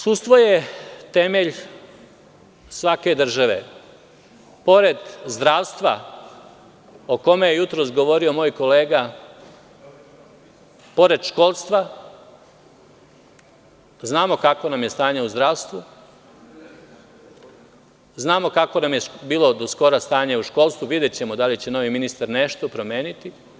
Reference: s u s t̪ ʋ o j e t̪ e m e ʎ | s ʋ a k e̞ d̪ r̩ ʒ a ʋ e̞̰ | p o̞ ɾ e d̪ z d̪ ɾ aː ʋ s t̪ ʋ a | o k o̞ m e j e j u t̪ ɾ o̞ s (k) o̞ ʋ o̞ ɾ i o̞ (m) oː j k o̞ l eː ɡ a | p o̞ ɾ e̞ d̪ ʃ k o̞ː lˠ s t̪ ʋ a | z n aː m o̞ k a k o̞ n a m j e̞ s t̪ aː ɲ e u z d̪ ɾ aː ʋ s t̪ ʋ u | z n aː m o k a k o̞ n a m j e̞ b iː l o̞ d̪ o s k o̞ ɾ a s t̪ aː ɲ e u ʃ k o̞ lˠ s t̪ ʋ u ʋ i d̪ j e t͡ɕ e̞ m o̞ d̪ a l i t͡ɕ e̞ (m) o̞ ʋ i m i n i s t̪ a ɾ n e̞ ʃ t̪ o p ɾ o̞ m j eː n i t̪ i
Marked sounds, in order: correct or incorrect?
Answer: incorrect: ɡ, correct, incorrect: n

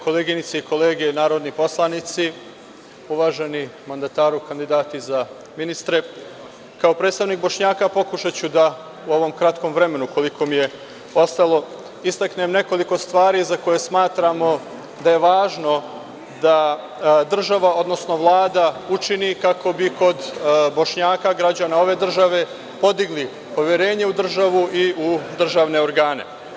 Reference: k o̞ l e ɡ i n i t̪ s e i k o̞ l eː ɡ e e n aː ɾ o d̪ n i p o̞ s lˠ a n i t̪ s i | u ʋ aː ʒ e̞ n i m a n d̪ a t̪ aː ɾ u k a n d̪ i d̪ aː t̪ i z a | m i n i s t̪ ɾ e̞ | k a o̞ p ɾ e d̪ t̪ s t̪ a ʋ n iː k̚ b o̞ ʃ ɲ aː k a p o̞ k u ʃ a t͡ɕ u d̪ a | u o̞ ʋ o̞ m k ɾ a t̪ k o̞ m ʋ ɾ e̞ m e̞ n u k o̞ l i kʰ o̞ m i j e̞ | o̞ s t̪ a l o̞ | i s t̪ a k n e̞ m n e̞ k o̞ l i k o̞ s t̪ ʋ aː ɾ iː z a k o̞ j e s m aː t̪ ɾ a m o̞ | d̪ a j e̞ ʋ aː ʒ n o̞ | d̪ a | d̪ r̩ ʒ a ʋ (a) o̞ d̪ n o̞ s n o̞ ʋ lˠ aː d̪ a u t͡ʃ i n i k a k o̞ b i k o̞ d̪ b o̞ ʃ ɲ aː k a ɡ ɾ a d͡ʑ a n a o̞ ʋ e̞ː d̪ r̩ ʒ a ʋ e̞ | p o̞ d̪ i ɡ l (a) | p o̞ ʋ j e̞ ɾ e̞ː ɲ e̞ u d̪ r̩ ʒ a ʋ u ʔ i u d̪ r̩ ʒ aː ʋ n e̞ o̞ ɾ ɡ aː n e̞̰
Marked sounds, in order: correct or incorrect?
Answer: correct, incorrect: i

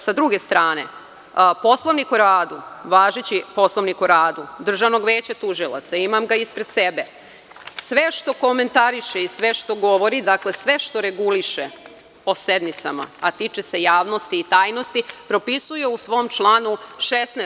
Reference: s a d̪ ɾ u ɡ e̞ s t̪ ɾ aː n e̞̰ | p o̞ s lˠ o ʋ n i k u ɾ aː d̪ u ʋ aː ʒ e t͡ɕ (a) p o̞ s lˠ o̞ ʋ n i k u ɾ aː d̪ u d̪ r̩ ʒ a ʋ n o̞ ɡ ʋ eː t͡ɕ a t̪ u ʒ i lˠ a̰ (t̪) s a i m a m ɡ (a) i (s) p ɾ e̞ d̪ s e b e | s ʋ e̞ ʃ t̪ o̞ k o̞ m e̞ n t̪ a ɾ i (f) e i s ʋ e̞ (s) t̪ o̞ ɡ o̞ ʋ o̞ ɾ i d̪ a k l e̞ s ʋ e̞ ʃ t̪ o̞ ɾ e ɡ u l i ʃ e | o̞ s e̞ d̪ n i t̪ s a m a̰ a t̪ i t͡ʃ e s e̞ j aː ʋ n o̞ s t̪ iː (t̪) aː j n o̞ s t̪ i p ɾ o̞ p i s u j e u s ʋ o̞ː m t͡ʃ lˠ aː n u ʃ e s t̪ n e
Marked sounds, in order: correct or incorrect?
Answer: incorrect: i, correct, correct, correct, incorrect: ʃ, incorrect: ʃ, correct

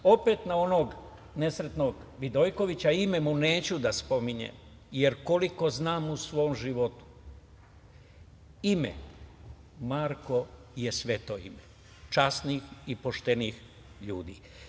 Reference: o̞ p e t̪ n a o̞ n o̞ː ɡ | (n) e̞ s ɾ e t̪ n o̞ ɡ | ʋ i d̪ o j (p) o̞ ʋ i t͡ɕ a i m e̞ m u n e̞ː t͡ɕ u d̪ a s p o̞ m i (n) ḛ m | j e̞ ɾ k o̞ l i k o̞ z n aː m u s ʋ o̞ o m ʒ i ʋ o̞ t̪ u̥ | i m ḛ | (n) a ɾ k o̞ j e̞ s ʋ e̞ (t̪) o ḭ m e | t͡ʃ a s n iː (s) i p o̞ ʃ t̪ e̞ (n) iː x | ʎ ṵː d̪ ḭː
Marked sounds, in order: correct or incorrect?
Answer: correct, incorrect: k, incorrect: ɲ, incorrect: m, correct, incorrect: x, correct

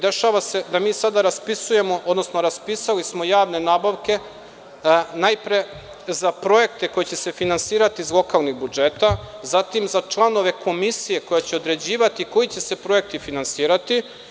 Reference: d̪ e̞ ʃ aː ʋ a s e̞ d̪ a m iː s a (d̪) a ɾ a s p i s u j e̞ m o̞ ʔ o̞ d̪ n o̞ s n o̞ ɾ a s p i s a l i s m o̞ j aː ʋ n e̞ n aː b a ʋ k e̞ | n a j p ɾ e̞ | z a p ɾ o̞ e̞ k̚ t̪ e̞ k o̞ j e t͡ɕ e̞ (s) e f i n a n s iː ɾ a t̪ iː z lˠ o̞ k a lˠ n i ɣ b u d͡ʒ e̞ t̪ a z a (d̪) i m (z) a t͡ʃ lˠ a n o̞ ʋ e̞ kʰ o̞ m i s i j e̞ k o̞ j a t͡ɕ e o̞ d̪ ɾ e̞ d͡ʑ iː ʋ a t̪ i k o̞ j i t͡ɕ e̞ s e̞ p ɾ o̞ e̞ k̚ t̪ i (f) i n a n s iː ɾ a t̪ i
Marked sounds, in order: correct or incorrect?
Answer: correct, correct, incorrect: t̪, correct, correct

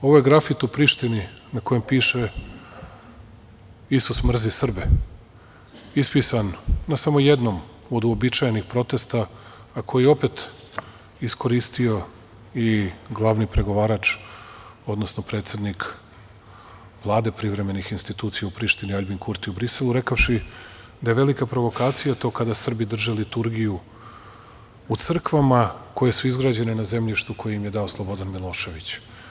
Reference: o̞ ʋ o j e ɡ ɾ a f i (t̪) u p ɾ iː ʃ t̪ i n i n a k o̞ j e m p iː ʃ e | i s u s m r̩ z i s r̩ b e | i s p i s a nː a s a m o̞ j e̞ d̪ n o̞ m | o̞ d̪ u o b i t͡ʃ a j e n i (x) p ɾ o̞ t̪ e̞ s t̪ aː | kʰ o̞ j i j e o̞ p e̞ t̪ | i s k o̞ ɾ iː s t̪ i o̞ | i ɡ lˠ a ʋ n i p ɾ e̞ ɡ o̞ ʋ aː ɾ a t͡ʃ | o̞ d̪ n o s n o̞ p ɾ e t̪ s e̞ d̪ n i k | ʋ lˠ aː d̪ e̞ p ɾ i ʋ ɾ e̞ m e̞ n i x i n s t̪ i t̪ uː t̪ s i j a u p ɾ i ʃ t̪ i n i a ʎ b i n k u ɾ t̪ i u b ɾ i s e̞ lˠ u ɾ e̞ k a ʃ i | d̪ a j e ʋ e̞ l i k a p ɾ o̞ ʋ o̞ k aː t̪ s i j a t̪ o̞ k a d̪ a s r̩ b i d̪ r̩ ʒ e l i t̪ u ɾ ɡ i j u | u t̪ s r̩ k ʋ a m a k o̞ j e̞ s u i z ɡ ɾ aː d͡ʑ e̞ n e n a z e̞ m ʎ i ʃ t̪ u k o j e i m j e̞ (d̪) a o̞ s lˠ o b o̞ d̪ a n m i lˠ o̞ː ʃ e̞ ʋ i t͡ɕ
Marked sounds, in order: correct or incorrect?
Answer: correct, correct, correct

